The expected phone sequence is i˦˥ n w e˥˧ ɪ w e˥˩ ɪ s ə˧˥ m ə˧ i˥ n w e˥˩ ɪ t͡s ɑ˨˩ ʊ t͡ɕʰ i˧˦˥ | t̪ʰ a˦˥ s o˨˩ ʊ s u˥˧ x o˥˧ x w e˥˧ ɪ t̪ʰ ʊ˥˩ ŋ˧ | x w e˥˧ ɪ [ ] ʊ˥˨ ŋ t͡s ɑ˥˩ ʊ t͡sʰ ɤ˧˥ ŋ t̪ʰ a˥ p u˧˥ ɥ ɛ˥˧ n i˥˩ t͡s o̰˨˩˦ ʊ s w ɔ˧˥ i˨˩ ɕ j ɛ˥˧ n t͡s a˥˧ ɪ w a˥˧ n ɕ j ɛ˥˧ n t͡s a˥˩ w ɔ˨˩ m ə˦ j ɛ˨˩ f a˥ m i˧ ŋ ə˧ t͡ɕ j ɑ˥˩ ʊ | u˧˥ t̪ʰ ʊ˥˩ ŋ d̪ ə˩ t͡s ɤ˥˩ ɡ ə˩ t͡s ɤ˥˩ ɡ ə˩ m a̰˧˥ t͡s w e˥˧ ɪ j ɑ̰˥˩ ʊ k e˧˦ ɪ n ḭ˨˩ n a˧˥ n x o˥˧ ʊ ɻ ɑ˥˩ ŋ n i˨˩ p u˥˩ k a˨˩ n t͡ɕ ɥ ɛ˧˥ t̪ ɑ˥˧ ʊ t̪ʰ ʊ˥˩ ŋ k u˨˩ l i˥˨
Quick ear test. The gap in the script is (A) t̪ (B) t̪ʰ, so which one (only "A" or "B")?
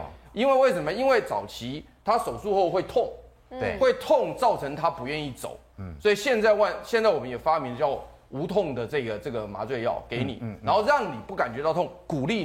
B